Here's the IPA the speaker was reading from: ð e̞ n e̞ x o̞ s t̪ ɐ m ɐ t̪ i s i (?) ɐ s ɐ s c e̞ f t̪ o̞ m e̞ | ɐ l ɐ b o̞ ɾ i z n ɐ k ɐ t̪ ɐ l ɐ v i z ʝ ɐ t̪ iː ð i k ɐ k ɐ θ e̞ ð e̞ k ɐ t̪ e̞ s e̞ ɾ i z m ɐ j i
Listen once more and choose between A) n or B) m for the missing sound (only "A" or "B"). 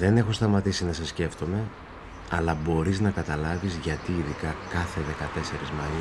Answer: A